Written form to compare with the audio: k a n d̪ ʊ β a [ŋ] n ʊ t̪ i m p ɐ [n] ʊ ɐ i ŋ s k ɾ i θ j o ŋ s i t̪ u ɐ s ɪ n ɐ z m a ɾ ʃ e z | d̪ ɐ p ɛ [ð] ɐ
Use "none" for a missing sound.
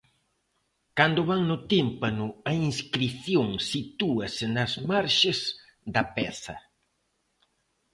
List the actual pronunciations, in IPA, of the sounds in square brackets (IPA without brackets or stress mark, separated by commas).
ŋ, n, θ